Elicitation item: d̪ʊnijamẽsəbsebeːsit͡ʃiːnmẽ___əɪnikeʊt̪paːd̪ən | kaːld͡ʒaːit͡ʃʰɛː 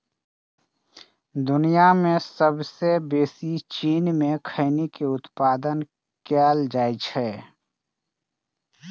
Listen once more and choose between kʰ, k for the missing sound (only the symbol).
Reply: kʰ